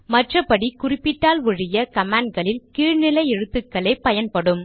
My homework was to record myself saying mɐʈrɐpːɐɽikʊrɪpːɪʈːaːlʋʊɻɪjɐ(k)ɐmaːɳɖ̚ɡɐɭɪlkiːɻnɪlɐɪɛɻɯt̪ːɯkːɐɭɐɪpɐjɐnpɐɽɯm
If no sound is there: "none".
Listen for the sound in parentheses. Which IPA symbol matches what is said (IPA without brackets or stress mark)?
k